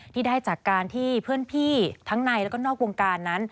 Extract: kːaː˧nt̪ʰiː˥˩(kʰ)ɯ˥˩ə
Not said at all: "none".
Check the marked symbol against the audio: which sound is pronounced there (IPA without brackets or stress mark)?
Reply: pʰ